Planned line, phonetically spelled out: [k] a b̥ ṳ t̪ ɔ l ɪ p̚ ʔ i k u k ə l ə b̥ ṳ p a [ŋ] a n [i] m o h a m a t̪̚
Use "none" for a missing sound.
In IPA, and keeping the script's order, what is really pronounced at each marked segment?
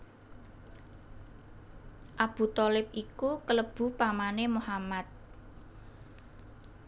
ʔ, m, e

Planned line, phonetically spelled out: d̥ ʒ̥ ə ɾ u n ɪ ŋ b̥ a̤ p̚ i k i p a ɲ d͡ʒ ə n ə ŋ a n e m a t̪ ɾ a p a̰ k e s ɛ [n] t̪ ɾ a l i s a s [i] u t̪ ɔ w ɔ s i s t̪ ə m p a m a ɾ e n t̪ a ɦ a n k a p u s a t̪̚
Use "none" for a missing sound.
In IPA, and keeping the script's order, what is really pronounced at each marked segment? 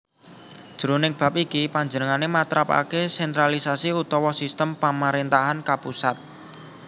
n, i

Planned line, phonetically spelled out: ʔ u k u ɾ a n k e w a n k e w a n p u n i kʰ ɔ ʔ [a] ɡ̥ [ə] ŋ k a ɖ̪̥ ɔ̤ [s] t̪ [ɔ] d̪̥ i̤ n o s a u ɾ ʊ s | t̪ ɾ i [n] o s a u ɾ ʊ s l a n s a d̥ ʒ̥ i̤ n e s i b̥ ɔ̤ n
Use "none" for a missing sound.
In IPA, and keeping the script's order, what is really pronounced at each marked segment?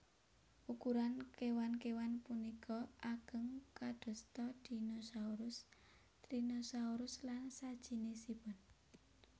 a, ə, s, ɔ, n

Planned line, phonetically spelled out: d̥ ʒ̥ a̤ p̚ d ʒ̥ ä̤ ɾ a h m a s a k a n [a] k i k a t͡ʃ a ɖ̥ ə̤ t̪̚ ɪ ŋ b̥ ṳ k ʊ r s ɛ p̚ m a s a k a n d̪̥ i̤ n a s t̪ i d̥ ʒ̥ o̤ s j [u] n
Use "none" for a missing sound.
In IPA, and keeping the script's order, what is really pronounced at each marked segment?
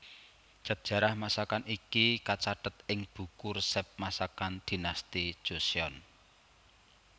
i, ɔ

